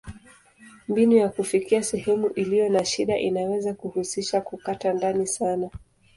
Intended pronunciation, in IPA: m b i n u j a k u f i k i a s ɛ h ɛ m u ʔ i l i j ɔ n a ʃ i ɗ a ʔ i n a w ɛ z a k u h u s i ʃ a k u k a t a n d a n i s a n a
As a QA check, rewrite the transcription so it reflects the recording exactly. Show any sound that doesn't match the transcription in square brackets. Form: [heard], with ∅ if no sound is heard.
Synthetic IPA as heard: m b i n u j a k u f i k i a s ɛ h ɛ m u ʔ i l i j ɔ n a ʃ i ɗ a ʔ i n a w ɛ z a k u h u s i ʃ a k u k a t a n d a n i s a n a